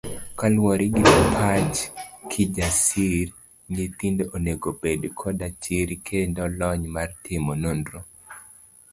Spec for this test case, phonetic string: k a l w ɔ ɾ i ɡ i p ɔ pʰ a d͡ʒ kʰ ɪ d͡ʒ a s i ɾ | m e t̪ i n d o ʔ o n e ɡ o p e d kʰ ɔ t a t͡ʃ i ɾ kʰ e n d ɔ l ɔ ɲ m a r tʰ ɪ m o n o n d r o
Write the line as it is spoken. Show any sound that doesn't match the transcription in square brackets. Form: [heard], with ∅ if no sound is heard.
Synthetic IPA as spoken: k a l w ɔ ɾ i ɡ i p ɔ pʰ a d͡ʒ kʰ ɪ d͡ʒ a s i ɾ | [ɲ] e t̪ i n d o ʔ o n e ɡ o p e d kʰ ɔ [d] a t͡ʃ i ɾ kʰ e n d ɔ l ɔ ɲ m a r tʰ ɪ m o n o n d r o